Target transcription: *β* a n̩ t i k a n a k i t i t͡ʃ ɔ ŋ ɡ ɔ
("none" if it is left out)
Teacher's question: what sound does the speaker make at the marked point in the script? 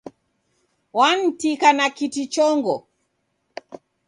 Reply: w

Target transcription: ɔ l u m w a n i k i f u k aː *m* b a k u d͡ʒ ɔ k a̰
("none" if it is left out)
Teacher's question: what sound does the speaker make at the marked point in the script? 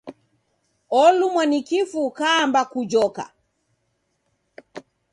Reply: m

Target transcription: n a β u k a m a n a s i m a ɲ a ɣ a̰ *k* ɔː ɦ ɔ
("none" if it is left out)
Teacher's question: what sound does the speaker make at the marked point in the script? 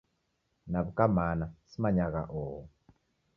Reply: ʔ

